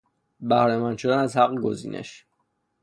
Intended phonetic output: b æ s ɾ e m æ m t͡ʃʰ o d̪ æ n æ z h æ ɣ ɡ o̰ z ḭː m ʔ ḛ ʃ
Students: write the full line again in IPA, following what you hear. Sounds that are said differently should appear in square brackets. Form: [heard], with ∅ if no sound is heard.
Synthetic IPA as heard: b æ [h] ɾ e m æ [n] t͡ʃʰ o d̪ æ n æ z h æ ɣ ɡ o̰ z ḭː [n] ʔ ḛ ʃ